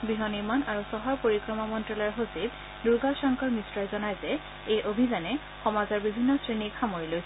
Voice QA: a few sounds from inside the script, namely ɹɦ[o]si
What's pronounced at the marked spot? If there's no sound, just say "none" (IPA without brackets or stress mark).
o